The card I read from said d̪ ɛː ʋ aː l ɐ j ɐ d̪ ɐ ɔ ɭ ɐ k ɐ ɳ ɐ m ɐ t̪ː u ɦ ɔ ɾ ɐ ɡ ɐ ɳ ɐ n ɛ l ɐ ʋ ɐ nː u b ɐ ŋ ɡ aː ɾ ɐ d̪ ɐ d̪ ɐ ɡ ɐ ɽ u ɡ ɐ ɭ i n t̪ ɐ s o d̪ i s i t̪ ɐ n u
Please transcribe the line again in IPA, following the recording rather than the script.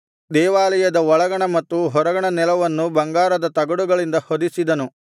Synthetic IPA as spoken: d̪ ɛː ʋ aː l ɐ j ɐ d̪ ɐ ɔ ɭ ɐ ɡ ɐ ɳ ɐ m ɐ t̪ː u ɦ ɔ ɾ ɐ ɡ ɐ ɳ ɐ n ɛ l ɐ ʋ ɐ nː u b ɐ ŋ ɡ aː ɾ ɐ d̪ ɐ t̪ ɐ ɡ ɐ ɽ u ɡ ɐ ɭ i n d̪ ɐ h o d̪ i s i d̪ ɐ n u